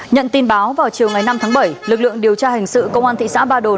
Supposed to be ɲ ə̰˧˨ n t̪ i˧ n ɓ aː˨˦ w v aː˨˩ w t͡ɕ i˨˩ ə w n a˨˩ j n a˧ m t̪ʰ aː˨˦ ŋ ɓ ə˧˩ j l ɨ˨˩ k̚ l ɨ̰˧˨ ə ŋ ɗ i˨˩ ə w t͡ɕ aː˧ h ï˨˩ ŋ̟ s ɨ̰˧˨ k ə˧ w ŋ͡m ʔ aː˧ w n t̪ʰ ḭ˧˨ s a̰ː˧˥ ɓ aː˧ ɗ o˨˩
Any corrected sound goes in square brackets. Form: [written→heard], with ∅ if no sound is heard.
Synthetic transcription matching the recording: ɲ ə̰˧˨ n t̪ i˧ n ɓ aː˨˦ w v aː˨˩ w t͡ɕ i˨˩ ə w [n→ŋ] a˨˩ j n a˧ m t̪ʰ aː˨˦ ŋ ɓ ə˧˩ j l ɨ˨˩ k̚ l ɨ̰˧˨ ə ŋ ɗ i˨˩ ə w t͡ɕ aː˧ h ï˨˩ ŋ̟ s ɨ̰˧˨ k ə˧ w ŋ͡m ʔ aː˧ [w→∅] n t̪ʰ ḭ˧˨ s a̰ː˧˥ ɓ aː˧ ɗ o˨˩